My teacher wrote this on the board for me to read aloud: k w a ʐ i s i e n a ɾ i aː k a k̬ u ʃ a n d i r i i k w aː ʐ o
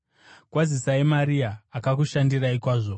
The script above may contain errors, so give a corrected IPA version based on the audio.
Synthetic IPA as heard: k w a z i s a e m a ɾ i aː k a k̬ u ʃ a n d i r a i k w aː ʐ o